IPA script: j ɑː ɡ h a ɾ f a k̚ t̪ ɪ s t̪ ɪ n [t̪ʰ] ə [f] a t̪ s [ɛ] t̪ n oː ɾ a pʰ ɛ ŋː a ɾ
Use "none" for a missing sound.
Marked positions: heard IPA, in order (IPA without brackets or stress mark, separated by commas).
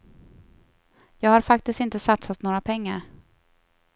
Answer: t̪, s, a